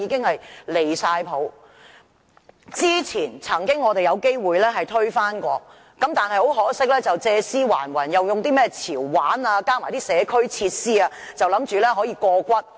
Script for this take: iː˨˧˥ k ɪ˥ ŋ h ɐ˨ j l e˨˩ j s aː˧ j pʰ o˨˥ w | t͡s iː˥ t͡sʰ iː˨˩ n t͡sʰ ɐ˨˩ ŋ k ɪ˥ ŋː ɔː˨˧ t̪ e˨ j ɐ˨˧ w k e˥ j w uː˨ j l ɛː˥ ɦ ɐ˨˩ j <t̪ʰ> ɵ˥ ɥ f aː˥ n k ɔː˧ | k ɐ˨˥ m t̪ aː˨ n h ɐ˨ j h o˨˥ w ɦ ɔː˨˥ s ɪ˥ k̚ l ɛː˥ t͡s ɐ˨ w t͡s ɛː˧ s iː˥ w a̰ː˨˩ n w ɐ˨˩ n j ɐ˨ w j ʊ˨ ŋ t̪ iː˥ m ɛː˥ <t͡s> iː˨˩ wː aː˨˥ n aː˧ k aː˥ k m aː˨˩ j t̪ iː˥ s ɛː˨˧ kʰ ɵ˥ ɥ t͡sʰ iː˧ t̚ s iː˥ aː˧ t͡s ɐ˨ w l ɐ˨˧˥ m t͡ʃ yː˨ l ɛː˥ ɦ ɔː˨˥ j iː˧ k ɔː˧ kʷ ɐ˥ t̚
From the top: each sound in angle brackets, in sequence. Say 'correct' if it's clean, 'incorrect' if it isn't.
correct, incorrect: t͡sʰ

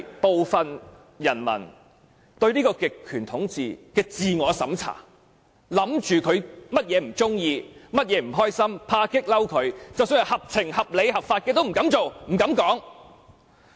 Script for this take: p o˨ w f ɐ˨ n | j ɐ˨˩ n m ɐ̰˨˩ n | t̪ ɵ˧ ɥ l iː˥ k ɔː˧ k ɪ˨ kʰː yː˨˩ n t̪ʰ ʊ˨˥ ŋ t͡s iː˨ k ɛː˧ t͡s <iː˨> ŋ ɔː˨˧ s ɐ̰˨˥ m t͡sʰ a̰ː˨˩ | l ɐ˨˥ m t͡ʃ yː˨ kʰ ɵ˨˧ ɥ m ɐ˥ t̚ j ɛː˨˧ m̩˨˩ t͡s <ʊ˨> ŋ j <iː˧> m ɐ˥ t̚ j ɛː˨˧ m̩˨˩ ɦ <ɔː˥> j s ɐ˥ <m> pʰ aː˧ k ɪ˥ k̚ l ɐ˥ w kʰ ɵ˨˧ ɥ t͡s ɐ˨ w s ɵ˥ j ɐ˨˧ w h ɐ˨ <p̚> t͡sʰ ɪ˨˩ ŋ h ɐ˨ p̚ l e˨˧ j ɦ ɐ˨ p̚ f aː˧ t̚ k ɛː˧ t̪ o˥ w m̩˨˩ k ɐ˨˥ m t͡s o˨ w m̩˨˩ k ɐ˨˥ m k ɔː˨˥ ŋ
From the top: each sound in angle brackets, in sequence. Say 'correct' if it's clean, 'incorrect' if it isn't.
correct, incorrect: ʊ˥, correct, correct, correct, correct

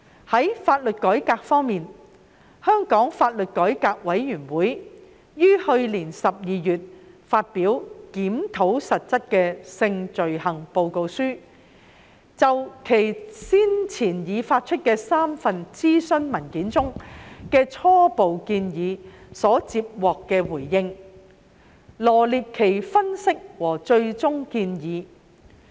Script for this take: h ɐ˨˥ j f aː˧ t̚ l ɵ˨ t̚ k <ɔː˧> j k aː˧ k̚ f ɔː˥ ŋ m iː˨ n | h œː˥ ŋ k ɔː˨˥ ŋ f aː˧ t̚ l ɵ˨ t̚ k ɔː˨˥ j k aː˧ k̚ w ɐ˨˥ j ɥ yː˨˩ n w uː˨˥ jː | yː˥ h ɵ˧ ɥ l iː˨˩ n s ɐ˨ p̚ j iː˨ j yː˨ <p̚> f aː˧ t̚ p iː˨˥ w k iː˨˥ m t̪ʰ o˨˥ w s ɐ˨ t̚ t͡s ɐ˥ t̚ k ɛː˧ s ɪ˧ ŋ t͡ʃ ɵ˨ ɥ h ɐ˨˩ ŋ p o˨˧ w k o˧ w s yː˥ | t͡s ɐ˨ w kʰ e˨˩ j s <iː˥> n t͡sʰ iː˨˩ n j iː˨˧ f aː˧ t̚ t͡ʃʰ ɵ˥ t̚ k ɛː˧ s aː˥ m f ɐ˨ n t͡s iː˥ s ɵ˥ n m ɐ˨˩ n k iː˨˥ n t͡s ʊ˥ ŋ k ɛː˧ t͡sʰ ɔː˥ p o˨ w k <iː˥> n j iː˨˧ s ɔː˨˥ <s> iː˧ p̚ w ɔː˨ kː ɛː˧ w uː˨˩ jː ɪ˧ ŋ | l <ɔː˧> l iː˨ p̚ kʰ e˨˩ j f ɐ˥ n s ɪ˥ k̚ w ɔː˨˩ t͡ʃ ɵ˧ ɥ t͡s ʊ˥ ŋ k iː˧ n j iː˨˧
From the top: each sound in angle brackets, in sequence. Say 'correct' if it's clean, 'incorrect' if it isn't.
incorrect: ɔː˨˥, incorrect: t̚, correct, incorrect: iː˧, incorrect: t͡s, incorrect: ɔː˨˩

